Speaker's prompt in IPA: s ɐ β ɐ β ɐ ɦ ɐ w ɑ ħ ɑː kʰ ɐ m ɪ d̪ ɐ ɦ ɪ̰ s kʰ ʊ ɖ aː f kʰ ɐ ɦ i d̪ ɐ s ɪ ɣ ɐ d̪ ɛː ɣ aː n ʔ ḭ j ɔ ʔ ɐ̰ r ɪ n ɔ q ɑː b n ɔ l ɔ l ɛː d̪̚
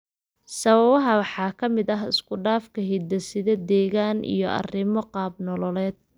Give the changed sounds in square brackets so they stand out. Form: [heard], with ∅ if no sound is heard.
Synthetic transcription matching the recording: s ɐ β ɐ β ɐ ɦ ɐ w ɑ ħ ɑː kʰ ɐ m ɪ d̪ ɐ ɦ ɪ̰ s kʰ ʊ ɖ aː f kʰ ɐ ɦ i d̪ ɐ s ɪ [ð] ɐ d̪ ɛː ɣ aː n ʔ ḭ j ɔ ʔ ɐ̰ r ɪ [m] ɔ q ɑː b n ɔ l ɔ l ɛː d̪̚